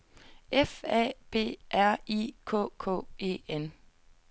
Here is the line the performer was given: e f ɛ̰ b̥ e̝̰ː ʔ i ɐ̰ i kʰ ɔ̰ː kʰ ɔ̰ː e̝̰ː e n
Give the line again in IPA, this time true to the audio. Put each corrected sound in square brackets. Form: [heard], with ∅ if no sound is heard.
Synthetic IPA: e f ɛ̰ b̥ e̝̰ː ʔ [æ] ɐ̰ i kʰ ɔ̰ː kʰ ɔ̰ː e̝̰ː e n

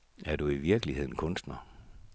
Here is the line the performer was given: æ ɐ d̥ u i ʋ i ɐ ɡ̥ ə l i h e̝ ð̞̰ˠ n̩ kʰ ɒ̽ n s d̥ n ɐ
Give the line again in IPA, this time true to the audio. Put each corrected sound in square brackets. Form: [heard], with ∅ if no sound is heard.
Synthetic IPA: æ ɐ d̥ u i ʋ i ɐ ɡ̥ ə l i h e̝ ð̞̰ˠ n̩ kʰ [ɔ̽] n s d̥ n ɐ

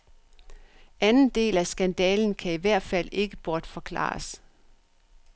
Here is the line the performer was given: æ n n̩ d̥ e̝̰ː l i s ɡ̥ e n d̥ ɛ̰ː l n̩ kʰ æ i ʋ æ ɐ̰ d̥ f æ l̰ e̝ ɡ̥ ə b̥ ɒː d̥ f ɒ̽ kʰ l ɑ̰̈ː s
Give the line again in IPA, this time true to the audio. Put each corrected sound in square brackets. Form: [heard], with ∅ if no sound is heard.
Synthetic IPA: æ n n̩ d̥ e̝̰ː l [æ] s ɡ̥ [æ] n d̥ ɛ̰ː l n̩ kʰ æ i ʋ æ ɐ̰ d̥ f æ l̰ e̝ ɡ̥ ə b̥ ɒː d̥ f ɒ̽ kʰ l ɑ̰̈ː s

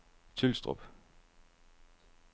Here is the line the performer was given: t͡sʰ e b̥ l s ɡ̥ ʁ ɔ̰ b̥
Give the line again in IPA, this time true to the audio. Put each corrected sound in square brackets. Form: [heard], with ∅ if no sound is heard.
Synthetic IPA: t͡sʰ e [∅] l s [d̥] ʁ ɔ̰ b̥

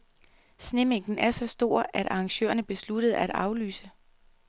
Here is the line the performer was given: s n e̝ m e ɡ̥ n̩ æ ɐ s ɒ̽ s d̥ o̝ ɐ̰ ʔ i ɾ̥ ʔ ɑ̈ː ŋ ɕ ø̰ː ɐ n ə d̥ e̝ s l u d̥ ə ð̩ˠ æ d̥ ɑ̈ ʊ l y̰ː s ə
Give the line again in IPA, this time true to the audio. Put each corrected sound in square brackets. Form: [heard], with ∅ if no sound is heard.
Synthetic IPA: s n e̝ m e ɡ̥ n̩ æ ɐ s ɒ̽ s d̥ o̝ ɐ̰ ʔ [æ] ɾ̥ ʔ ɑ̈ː ŋ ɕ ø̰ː ɐ n ə [b̥] e̝ s l u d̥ ə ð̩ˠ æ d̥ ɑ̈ ʊ l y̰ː s ə

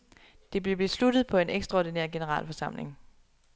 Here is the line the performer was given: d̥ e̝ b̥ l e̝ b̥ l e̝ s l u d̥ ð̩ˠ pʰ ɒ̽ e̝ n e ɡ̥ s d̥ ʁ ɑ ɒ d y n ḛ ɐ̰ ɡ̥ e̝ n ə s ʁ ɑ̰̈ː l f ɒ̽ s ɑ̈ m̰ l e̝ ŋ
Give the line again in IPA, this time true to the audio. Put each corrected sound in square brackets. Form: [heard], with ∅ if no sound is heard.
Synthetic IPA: d̥ e̝ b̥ l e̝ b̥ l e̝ s l u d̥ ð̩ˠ pʰ ɒ̽ e̝ n e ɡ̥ s d̥ ʁ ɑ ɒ d [i] n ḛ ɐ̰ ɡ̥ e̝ n ə [∅] ʁ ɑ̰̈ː l f ɒ̽ s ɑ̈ m̰ l e̝ ŋ

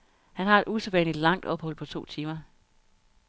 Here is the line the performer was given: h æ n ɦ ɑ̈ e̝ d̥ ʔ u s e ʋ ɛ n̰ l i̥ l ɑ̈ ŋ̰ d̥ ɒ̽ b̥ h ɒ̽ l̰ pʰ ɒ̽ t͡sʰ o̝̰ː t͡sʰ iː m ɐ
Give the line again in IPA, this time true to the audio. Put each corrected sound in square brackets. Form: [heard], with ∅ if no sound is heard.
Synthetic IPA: h æ n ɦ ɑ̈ e̝ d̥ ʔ u s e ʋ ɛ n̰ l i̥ l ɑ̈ ŋ̰ d̥ ɒ̽ b̥ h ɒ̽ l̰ pʰ ɒ̽ t͡sʰ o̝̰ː t͡sʰ iː m ɐ

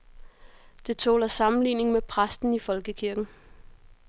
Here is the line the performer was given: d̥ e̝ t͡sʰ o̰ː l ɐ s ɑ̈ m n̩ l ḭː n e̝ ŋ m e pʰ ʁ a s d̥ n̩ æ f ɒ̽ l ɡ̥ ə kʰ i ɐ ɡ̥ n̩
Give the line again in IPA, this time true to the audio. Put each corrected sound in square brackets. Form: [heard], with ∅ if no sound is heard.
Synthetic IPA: d̥ e̝ t͡sʰ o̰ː l ɐ s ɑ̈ m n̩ l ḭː n e̝ ŋ m e pʰ ʁ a s d̥ n̩ [i] f ɒ̽ l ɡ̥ ə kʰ i ɐ ɡ̥ n̩

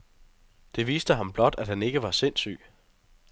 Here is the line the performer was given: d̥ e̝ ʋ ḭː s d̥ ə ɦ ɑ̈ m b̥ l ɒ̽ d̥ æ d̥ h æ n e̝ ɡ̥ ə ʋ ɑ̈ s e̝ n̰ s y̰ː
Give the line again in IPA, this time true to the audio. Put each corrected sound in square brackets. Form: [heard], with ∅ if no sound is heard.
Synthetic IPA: d̥ e̝ ʋ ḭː s d̥ ə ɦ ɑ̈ m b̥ l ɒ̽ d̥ æ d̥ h æ n e̝ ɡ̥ ə ʋ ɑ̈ s e̝ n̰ s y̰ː

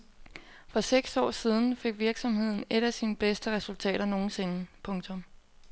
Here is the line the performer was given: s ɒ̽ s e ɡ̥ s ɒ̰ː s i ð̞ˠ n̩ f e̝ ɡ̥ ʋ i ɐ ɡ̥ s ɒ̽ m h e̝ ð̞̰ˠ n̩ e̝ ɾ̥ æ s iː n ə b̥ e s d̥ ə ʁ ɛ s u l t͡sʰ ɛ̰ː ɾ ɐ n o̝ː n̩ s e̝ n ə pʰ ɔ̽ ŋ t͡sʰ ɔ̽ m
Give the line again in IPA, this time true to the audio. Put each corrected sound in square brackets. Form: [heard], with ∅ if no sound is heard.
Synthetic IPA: [f] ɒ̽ s e ɡ̥ s ɒ̰ː s i ð̞ˠ n̩ f e̝ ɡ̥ ʋ i ɐ ɡ̥ s ɒ̽ m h e̝ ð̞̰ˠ n̩ e̝ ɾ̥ æ s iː n ə b̥ e s d̥ ə ʁ ɛ s u l t͡sʰ ɛ̰ː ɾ ɐ n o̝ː n̩ s e̝ n ə pʰ ɔ̽ ŋ t͡sʰ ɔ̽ m

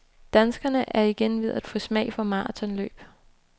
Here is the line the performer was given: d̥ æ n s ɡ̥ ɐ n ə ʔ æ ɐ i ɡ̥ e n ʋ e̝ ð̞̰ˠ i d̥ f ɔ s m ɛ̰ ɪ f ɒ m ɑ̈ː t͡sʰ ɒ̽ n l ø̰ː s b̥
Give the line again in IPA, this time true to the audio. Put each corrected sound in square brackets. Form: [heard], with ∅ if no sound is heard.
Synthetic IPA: d̥ æ n s ɡ̥ ɐ n ə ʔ æ ɐ i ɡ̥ e n ʋ e̝ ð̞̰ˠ [æ] d̥ f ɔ s m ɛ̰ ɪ f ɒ m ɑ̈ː t͡sʰ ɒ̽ n l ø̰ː [∅] b̥

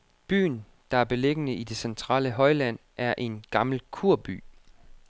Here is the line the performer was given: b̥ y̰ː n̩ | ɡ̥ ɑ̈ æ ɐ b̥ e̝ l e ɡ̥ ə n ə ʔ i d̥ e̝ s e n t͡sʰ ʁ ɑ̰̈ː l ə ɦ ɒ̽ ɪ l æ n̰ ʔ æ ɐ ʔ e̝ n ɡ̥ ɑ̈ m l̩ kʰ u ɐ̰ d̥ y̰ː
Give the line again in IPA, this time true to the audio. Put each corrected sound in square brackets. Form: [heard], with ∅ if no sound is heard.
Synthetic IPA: b̥ y̰ː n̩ | [d̥] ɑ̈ æ ɐ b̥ e̝ l e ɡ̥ ə n ə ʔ i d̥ e̝ s e n t͡sʰ ʁ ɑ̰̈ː l ə ɦ ɒ̽ ɪ l æ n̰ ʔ æ ɐ ʔ e̝ n ɡ̥ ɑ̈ m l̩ kʰ u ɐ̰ [b̥] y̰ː

